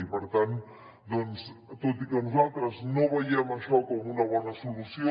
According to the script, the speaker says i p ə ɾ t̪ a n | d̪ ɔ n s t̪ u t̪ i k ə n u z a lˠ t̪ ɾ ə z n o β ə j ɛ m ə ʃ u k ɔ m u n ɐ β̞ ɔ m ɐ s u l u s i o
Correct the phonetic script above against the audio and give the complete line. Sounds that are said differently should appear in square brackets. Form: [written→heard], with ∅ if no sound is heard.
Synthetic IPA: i p ə ɾ t̪ a n | d̪ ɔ n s t̪ [u→o] t̪ i k ə n u z a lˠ t̪ ɾ ə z n o β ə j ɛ m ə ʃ [u→ɔ] k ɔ m u n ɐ β̞ ɔ [m→n] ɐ s u l u s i o